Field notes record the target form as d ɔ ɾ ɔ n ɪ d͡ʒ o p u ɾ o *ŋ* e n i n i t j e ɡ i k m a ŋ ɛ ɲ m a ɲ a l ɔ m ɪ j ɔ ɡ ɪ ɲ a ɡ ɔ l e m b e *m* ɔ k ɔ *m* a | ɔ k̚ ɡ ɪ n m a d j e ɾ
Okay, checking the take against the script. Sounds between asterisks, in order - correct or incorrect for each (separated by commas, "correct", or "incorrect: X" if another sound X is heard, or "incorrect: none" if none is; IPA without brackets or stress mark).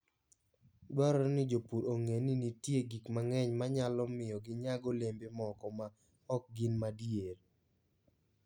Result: correct, correct, correct